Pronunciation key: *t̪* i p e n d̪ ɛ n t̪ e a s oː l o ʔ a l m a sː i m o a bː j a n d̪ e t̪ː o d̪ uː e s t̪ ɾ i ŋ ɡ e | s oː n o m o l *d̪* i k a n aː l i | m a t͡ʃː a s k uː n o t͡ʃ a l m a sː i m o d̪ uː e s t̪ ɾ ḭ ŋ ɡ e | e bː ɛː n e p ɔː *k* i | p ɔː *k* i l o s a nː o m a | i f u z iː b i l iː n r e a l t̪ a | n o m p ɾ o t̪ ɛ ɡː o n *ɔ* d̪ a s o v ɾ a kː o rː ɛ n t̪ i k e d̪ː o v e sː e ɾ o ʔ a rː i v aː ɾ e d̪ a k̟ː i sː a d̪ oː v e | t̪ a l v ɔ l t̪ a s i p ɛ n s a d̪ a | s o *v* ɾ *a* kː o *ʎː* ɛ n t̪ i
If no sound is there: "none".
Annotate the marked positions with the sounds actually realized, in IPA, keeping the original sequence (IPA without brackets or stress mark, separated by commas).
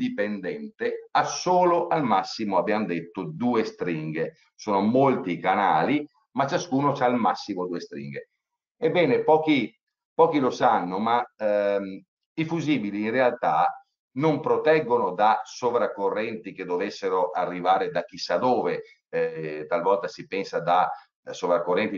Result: d̪, t̪, k, k, o, v, a, rː